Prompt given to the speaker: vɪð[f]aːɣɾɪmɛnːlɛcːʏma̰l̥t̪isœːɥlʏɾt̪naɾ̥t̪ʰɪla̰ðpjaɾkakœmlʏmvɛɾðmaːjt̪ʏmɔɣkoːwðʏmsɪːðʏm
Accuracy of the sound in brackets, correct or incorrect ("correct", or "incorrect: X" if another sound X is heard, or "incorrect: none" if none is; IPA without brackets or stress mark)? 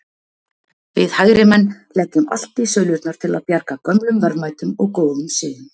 incorrect: h